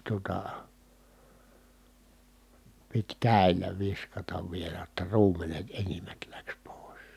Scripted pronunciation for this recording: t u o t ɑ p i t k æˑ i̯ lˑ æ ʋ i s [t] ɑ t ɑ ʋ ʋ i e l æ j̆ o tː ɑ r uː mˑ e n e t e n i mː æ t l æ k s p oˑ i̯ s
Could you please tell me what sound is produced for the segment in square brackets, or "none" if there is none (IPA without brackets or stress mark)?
k